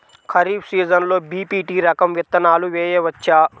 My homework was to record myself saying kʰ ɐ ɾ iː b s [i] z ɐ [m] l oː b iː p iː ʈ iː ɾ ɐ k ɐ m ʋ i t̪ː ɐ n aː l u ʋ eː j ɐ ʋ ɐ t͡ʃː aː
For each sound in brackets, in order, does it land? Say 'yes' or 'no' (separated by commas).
no, no